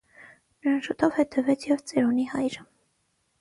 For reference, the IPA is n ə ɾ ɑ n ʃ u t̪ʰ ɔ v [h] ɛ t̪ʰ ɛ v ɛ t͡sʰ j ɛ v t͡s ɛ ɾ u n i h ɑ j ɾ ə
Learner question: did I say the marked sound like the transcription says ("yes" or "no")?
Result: yes